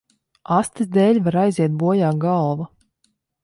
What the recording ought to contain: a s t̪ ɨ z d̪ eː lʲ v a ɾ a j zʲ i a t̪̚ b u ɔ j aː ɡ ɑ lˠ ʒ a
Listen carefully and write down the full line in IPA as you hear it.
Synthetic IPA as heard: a s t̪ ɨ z d̪ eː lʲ v a ɾ a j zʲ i ɛ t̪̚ b u ɔ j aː ɡ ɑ lˠ v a